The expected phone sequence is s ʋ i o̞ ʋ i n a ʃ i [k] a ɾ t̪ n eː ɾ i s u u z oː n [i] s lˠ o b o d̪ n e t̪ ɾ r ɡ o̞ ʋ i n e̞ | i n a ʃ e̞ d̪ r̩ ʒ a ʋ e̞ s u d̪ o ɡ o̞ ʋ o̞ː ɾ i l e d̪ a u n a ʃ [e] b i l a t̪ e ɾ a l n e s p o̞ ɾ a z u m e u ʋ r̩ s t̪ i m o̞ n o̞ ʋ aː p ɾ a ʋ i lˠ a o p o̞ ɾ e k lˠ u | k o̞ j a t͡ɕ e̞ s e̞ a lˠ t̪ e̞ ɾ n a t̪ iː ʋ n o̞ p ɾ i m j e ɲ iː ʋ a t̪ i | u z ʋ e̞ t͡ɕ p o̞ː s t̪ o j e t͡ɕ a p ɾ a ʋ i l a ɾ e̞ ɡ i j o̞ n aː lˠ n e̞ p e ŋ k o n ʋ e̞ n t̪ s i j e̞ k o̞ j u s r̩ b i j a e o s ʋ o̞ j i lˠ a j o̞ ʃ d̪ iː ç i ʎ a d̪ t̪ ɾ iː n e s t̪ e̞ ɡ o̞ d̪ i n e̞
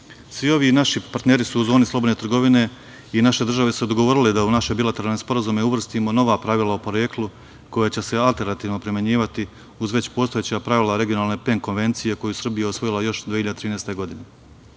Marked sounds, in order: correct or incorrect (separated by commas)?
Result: incorrect, correct, correct